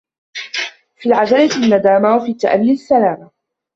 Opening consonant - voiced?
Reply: no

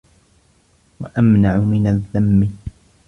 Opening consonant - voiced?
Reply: yes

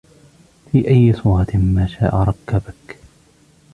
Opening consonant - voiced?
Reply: no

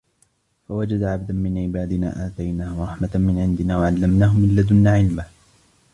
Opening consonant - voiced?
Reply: no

